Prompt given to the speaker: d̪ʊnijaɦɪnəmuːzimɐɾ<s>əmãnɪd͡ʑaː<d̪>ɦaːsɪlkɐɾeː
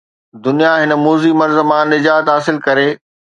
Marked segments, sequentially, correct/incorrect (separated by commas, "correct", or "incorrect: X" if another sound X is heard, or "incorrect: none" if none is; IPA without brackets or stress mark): incorrect: z, incorrect: t̪